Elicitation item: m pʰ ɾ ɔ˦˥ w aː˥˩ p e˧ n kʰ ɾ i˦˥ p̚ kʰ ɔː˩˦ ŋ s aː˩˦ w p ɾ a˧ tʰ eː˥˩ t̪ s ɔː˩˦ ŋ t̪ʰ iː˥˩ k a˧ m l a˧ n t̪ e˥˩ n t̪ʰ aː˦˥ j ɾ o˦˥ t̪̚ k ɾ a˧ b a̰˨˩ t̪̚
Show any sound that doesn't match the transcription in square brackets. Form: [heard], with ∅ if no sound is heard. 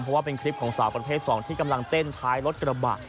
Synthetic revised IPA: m pʰ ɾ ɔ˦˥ w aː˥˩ p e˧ n kʰ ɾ i˦˥ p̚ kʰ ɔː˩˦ ŋ s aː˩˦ w p ɾ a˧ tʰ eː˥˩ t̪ s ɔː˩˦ ŋ t̪ʰ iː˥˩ k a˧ m l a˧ [ŋ] t̪ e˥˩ n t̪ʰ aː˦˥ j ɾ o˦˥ t̪̚ k ɾ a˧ b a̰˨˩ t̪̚